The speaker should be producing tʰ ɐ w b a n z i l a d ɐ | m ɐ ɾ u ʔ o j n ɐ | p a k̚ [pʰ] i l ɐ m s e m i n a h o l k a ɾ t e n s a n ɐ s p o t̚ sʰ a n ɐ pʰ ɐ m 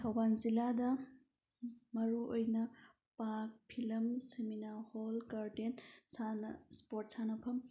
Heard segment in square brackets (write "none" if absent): pʰ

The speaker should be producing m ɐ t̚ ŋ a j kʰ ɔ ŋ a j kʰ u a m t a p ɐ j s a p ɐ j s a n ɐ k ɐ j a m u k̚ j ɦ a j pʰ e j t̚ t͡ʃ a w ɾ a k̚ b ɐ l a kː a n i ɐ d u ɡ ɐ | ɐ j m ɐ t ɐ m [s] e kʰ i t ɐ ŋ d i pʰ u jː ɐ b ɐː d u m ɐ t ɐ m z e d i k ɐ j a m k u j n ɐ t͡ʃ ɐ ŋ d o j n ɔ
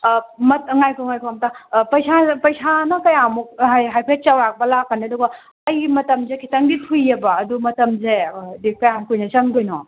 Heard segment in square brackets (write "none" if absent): z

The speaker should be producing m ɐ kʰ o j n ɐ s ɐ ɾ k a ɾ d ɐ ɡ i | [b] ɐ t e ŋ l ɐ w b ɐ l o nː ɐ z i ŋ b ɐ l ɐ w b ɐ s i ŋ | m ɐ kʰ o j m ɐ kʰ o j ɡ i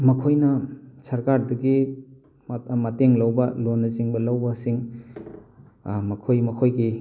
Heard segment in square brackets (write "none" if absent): m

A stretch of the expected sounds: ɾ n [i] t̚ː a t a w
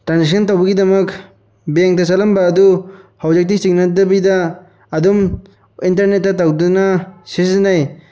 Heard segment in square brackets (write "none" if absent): e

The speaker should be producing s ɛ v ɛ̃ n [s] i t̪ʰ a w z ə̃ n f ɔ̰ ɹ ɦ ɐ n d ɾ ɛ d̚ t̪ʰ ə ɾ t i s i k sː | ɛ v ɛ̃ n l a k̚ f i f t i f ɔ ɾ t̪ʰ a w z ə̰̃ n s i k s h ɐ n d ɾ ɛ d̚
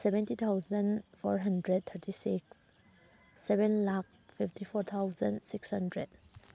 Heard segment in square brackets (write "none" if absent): t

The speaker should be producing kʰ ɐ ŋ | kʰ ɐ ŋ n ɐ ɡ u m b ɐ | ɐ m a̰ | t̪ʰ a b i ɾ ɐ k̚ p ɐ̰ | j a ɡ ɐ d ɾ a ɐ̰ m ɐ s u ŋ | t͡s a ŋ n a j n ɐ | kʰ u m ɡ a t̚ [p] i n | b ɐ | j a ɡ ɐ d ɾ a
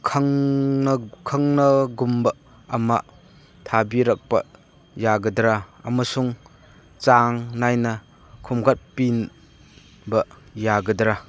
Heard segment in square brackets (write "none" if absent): p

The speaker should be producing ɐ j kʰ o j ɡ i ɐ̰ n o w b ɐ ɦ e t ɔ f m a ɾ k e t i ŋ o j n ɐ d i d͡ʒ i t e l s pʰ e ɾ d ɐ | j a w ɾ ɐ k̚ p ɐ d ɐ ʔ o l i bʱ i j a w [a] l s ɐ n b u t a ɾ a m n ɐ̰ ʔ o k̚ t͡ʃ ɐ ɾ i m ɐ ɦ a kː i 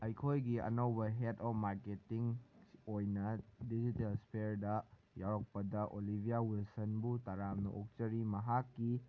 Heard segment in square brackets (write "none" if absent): i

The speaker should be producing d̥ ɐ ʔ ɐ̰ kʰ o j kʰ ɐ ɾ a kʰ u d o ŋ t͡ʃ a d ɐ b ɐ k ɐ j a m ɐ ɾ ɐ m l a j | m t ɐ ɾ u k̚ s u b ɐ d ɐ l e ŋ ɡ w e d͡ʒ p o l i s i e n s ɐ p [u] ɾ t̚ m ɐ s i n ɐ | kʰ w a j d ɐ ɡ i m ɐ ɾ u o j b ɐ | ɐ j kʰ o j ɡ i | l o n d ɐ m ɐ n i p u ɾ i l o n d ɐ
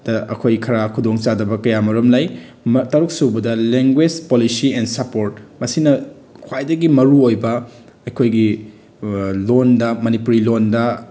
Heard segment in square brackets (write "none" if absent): o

